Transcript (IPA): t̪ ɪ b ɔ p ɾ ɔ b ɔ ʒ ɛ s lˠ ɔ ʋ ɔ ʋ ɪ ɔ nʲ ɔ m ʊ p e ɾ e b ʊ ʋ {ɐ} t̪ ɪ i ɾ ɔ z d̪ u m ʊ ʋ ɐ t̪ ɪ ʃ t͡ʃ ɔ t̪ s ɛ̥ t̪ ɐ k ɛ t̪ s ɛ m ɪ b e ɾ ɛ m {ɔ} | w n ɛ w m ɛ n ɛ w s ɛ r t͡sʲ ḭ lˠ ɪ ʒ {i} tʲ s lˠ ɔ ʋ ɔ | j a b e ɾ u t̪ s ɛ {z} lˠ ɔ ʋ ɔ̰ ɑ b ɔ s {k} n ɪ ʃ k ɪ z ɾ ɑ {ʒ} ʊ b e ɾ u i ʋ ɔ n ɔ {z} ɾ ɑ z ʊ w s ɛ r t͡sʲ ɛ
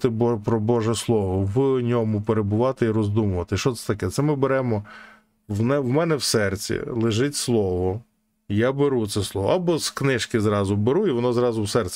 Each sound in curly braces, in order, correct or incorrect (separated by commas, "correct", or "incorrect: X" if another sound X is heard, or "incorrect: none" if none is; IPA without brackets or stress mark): incorrect: ɑ, correct, incorrect: ɪ, incorrect: s, correct, incorrect: z, correct